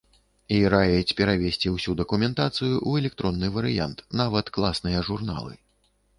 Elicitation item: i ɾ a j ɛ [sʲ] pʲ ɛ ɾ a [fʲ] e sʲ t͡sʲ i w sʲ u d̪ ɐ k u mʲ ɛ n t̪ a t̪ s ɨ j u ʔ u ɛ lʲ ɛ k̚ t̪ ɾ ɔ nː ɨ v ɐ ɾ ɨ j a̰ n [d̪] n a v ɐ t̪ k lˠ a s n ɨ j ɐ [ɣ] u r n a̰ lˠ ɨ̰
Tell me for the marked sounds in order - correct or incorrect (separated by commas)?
incorrect, incorrect, incorrect, incorrect